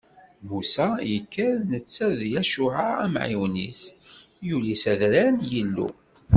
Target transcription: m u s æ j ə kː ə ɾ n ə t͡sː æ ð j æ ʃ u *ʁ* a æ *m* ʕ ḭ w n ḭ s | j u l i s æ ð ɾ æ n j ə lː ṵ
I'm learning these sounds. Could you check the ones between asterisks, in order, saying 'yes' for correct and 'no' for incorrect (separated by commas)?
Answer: no, yes